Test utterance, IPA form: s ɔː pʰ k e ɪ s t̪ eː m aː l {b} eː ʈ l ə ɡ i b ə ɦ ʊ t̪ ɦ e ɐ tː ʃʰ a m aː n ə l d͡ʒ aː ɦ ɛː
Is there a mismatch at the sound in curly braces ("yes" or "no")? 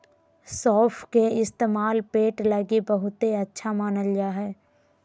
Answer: yes